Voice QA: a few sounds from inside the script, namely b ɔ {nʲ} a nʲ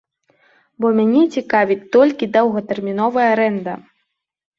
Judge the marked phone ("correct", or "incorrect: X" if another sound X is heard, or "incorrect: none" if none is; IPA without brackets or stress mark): incorrect: mʲ